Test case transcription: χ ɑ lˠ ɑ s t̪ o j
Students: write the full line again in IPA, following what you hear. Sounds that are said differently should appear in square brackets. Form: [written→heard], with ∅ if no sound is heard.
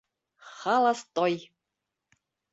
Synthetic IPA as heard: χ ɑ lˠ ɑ s t̪ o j